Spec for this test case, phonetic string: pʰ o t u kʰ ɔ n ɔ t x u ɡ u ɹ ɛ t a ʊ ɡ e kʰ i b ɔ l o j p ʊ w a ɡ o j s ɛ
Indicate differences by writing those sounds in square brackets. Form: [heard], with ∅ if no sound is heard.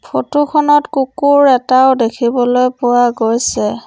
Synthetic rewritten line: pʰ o t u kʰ ɔ n ɔ t [k] u [k] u ɹ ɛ t a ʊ [d] e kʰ i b ɔ l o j p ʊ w a ɡ o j s ɛ